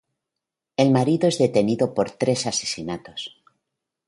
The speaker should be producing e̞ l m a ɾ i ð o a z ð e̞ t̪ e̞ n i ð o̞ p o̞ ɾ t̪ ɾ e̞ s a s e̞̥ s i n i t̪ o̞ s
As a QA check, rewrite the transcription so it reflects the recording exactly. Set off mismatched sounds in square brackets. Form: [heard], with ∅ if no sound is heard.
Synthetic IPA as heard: e̞ l m a ɾ i ð o [e] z ð e̞ t̪ e̞ n i ð o̞ p o̞ ɾ t̪ ɾ e̞ s a s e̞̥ s i n [a] t̪ o̞ s